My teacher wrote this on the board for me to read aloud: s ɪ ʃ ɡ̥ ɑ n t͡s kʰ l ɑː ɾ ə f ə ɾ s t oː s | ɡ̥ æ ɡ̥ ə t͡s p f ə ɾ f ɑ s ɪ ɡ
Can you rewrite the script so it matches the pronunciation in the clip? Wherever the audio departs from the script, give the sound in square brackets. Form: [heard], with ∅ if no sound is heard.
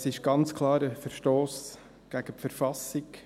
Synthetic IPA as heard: s ɪ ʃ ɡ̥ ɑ n t͡s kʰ l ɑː ɾ ə f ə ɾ [ʃ] t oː s | ɡ̥ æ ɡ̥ ə [∅] p f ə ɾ f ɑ s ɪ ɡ